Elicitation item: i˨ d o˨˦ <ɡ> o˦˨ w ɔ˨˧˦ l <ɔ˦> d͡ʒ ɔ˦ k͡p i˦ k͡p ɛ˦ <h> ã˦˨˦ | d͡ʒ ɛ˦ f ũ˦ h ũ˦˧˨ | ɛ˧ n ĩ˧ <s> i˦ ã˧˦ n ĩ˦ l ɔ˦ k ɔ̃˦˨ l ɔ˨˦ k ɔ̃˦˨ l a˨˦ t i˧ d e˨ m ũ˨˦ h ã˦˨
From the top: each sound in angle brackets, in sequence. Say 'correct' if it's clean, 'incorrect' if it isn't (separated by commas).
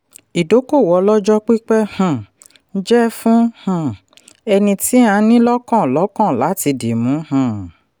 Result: incorrect, correct, correct, incorrect